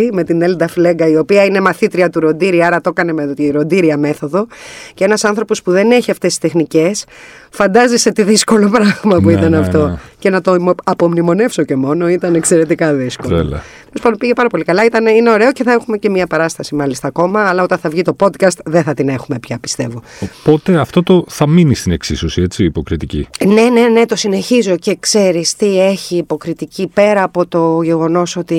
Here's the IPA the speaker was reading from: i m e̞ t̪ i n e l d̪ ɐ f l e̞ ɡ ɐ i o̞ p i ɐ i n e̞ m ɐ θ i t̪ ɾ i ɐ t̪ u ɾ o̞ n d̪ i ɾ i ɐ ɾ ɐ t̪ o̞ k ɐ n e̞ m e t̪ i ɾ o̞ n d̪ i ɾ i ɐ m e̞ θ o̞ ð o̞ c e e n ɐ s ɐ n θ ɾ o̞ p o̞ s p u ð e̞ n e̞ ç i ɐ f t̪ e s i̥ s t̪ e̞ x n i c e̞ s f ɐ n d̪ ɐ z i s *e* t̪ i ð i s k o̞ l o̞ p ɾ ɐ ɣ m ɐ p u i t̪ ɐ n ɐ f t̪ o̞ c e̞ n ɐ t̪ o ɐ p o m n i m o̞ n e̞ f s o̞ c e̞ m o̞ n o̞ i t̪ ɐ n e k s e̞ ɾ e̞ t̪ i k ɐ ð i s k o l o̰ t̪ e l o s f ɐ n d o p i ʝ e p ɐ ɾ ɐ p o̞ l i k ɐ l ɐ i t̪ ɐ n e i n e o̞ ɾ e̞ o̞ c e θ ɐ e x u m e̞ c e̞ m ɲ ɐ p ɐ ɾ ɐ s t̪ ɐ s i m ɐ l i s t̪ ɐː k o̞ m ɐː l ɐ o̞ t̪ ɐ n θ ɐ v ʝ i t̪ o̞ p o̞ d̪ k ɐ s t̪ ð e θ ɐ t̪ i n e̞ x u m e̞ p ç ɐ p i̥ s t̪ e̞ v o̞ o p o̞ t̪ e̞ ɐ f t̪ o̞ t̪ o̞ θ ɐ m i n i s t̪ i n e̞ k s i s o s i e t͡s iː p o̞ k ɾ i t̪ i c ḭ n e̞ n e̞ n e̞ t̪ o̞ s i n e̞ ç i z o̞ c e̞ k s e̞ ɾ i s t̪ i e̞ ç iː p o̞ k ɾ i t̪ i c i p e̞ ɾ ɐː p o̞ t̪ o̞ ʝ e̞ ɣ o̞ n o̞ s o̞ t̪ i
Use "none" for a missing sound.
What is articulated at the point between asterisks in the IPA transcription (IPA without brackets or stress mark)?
e